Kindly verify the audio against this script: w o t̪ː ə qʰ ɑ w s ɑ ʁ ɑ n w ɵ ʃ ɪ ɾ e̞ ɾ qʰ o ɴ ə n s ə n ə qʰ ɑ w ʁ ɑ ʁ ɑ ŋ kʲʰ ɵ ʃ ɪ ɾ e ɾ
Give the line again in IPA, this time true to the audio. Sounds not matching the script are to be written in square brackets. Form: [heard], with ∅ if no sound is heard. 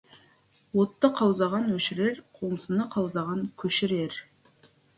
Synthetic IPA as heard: w o t̪ː ə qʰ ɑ w [z] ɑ ʁ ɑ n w ɵ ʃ ɪ ɾ e̞ ɾ qʰ o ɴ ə [∅] s ə n ə qʰ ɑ w [z] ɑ ʁ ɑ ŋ kʲʰ ɵ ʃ ɪ ɾ e ɾ